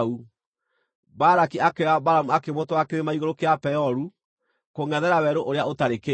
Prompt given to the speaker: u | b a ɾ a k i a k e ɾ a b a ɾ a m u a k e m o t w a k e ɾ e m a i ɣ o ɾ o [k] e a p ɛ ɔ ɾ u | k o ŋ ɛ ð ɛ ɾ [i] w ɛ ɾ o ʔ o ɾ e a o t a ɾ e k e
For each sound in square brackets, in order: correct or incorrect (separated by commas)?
correct, incorrect